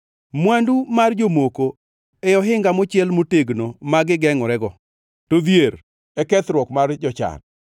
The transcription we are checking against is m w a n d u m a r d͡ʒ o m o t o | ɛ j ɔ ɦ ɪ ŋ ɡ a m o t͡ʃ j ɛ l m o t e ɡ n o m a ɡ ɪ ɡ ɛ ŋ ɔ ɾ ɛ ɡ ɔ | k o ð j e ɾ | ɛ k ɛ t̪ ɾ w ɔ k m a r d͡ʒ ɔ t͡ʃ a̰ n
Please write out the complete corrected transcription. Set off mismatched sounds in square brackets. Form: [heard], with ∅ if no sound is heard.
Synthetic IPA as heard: m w a n d u m a r d͡ʒ o m o [k] o | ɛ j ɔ ɦ ɪ ŋ ɡ a m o t͡ʃ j ɛ l m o t e ɡ n o m a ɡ ɪ ɡ ɛ ŋ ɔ ɾ ɛ ɡ ɔ | [t] o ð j e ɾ | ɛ k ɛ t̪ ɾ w ɔ k m a r d͡ʒ ɔ t͡ʃ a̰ n

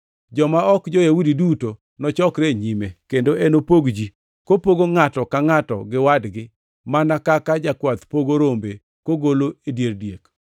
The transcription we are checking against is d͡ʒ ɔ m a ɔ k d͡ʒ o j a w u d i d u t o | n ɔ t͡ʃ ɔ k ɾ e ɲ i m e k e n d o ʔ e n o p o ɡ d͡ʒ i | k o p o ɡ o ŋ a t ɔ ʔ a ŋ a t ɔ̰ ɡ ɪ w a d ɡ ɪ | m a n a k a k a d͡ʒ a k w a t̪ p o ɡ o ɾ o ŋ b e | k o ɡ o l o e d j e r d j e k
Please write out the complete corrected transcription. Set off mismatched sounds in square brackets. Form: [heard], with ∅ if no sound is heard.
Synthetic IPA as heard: d͡ʒ ɔ m a ɔ k d͡ʒ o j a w u d i d u t o | n ɔ t͡ʃ ɔ k ɾ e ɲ i m e k e n d o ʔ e n o p o ɡ d͡ʒ i | k o p o ɡ o ŋ a t ɔ [k] a ŋ a t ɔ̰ ɡ ɪ w a d ɡ ɪ | m a n a k a k a d͡ʒ a k w a t̪ p o ɡ o ɾ o [m] b e | k o ɡ o l o e d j e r d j e k

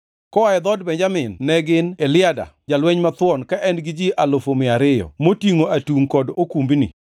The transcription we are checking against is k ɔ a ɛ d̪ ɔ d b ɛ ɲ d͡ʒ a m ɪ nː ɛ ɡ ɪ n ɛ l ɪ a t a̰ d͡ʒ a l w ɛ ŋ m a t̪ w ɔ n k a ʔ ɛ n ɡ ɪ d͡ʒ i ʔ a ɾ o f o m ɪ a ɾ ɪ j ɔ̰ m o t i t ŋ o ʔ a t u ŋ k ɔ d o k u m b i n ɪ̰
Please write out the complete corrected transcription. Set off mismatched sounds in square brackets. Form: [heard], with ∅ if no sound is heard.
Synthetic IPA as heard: k ɔ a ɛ d̪ ɔ d b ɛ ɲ d͡ʒ a m ɪ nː ɛ ɡ ɪ n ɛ l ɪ a [d] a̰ d͡ʒ a l w ɛ [ɲ] m a t̪ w ɔ n k a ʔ ɛ n ɡ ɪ d͡ʒ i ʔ a [l] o f o m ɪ a ɾ ɪ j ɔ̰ m o t i [∅] ŋ o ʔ a t u ŋ k ɔ d o k u m b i n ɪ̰

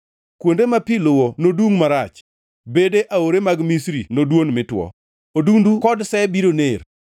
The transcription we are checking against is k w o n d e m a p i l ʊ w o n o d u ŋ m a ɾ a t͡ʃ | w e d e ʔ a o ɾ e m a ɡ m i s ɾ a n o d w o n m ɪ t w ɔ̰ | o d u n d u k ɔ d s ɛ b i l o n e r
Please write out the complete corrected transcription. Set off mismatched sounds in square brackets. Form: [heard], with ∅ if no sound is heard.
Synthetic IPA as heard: k w o n d e m a p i l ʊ w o n o d u ŋ m a ɾ a t͡ʃ | [b] e d e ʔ a o ɾ e m a ɡ m i s ɾ [i] n o d w o n m ɪ t w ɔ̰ | o d u n d u k ɔ d s ɛ b i [ɾ] o n e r

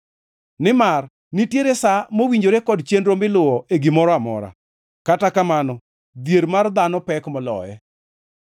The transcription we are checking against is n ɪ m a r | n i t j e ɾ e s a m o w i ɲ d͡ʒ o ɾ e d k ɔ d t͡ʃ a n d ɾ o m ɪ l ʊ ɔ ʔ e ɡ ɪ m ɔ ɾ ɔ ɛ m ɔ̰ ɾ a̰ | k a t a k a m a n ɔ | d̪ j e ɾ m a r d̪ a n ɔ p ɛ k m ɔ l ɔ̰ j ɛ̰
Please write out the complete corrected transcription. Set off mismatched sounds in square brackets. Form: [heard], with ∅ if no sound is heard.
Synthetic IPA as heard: n ɪ m a r | n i t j e ɾ e s a m o w i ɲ d͡ʒ o ɾ e [∅] k ɔ d t͡ʃ [e] n d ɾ o m ɪ l ʊ ɔ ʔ e ɡ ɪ m ɔ ɾ ɔ [a] m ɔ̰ ɾ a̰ | k a t a k a m a n ɔ | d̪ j e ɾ m a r d̪ a n ɔ p ɛ k m ɔ l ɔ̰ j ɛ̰

